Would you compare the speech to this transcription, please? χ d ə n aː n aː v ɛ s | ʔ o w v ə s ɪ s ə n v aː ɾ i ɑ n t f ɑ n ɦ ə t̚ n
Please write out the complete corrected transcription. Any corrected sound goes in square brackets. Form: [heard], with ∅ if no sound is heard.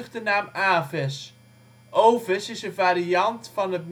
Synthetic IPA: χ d ə n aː [m] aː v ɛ s | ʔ o w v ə s ɪ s ə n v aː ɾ i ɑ n t f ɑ n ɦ ə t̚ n

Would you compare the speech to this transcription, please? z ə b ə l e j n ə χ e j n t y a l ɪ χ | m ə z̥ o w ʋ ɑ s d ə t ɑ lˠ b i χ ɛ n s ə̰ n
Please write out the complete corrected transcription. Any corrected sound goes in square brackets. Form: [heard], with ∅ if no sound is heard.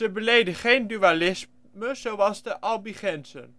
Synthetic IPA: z ə b ə l e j [d] ə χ e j n [d] y a l ɪ [s] | m ə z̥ o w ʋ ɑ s d ə [ʔ] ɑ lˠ b i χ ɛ n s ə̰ n

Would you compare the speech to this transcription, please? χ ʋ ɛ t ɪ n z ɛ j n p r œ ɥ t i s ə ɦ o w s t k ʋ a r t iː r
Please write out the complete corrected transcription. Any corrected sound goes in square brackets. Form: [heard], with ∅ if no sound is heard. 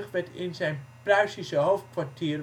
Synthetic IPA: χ ʋ ɛ t ɪ n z ɛ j n p r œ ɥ [s] i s ə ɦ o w [f] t k ʋ a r t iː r

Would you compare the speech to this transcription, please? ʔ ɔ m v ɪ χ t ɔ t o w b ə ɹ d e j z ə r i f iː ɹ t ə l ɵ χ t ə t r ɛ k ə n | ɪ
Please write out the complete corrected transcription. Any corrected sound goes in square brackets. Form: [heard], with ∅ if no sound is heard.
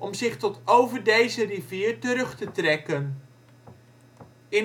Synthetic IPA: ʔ ɔ m [z] ɪ χ t ɔ t o w [v] ə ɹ d e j z ə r i [v] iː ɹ t ə [ɾ] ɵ χ t ə t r ɛ k ə n | ɪ

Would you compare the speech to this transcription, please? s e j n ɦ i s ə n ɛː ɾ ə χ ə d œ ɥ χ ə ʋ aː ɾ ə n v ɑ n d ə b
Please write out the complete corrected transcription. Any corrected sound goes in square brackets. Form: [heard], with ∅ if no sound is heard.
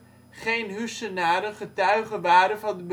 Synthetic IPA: [χ] e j n ɦ [y] s ə n [aː] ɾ ə χ ə [t] œ ɥ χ ə ʋ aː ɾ ə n v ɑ n d ə b

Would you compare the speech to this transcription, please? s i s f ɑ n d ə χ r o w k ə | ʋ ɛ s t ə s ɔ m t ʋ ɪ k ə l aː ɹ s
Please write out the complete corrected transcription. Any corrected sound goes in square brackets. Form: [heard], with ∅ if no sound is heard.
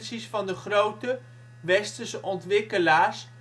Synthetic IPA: s i s f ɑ n d ə χ r o w [t] ə | ʋ ɛ s t ə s ɔ [n] t ʋ ɪ k ə l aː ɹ s

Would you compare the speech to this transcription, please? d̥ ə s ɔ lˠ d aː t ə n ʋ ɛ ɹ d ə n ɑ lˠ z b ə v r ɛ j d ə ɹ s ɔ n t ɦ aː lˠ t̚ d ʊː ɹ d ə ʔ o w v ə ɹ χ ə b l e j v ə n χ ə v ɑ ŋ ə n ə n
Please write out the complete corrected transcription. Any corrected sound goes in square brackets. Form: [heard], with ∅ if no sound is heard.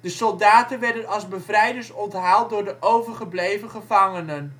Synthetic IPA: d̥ ə s ɔ lˠ d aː t ə n ʋ ɛ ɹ d ə n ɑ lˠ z b ə v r ɛ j d ə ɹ s ɔ n t ɦ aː lˠ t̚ d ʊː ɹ d ə ʔ o w v ə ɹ χ ə b l e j v ə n χ ə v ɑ ŋ ə n ə n

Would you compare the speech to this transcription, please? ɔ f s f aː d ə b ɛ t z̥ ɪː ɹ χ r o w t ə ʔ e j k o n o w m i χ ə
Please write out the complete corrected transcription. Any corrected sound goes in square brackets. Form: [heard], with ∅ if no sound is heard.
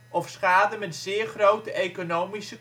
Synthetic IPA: ɔ f s [χ] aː d ə [m] ɛ t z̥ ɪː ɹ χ r o w t ə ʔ e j k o n o w m i [s] ə

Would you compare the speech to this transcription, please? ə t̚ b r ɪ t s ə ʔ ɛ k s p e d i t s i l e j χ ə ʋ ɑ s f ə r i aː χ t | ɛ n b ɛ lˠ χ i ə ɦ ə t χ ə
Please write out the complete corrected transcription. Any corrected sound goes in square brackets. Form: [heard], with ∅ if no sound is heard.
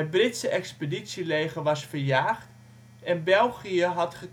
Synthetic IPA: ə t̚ b r ɪ t s ə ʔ ɛ k s p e d i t s i l e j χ ə ʋ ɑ s f ə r [j] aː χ t | ɛ n b ɛ lˠ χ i ə ɦ [ɑ] t χ ə

